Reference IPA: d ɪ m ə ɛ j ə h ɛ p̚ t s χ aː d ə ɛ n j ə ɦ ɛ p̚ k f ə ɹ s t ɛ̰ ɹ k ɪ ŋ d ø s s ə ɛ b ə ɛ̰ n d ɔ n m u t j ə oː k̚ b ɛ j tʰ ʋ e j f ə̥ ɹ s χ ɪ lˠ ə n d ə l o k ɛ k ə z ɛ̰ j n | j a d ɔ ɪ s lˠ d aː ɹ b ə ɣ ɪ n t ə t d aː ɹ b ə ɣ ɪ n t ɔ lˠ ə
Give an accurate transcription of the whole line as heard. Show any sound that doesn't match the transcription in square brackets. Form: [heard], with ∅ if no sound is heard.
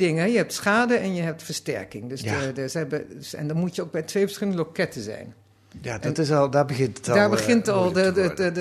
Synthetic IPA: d ɪ [ŋ] ə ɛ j ə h ɛ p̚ t s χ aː d ə ɛ n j ə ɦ ɛ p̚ [t] f ə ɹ s t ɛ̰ ɹ k ɪ ŋ d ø s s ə ɛ b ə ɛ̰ n d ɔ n m u t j ə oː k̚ b ɛ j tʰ ʋ e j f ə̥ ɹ s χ ɪ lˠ ə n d ə l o k ɛ [t] ə z ɛ̰ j n | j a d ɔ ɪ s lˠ d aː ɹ b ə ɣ ɪ n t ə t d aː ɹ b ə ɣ ɪ n t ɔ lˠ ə